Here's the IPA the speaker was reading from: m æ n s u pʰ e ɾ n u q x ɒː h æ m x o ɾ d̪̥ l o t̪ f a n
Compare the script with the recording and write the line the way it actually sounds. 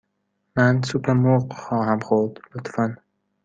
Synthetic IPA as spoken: m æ n s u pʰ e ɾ m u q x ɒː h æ m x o ɾ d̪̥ l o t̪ f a n